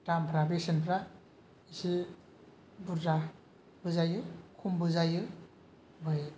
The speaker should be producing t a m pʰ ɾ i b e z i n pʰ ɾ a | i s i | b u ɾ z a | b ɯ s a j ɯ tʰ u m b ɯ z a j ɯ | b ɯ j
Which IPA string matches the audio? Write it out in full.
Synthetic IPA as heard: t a m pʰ ɾ a b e s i n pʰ ɾ a | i s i | b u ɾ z a | b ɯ z a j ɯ kʰ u m b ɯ z a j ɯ | b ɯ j